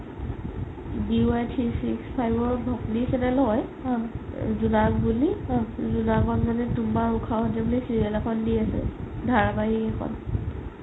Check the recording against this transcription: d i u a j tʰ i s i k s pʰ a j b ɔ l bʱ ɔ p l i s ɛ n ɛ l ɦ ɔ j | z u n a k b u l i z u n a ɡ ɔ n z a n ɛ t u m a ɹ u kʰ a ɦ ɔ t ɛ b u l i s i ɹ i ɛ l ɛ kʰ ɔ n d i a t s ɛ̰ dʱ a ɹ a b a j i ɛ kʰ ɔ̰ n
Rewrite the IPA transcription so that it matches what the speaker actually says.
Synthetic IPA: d i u a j tʰ i s i k s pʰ a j b ɔ ɹ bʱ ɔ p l i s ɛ n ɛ l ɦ ɔ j | z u n a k b u l i z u n a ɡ ɔ n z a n ɛ t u m a ɹ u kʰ a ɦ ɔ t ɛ b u l i s i ɹ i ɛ l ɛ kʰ ɔ n d i a s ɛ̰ dʱ a ɹ a b a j i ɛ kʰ ɔ̰ n